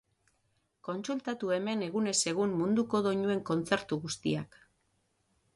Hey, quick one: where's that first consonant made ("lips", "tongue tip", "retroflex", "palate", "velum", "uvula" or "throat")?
velum